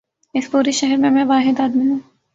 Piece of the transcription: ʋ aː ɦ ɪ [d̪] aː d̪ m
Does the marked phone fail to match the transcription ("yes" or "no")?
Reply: no